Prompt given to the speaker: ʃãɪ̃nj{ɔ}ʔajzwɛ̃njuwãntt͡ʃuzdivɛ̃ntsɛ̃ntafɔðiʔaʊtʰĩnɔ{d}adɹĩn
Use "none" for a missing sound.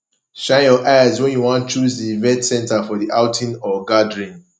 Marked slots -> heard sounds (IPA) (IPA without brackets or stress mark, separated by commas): ɔ, ɡ